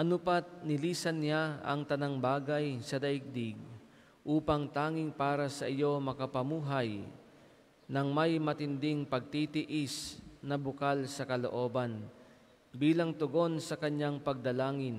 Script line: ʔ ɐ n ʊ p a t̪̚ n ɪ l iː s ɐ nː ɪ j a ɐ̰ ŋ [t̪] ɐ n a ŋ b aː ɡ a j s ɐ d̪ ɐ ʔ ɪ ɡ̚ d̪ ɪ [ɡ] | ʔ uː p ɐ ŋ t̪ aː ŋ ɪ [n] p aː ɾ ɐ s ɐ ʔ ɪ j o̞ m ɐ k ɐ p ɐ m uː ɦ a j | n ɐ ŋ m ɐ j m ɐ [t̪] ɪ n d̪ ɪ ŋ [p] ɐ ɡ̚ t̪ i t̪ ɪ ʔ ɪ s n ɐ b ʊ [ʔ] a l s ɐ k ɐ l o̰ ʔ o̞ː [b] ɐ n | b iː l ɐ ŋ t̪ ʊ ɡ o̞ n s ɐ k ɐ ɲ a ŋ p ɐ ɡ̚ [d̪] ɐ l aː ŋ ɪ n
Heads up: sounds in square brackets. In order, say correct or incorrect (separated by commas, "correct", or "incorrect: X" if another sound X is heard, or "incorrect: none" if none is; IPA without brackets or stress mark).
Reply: correct, correct, incorrect: ŋ, correct, correct, incorrect: k, correct, correct